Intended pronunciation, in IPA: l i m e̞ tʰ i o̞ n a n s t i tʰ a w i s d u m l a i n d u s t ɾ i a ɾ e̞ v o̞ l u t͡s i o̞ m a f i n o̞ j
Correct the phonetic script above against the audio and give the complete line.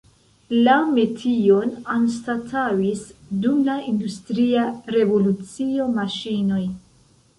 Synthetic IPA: l a m e̞ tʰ i o̞ n a n s t a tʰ a w i s d u m l a i n d u s t ɾ i a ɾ e̞ v o̞ l u t͡s i o̞ m a ʃ i n o̞ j